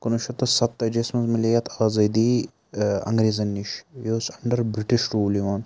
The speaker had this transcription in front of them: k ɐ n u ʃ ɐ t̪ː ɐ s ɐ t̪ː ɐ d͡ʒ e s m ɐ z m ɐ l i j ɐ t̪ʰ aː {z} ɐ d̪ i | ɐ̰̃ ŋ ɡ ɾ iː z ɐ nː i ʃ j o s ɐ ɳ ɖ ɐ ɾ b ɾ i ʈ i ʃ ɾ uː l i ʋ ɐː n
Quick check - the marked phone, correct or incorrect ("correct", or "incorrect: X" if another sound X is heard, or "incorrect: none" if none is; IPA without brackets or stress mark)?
correct